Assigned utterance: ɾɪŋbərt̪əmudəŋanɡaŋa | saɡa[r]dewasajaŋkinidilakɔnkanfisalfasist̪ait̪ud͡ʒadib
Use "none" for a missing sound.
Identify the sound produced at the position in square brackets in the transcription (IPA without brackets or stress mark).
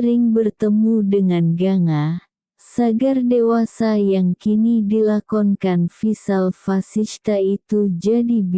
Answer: r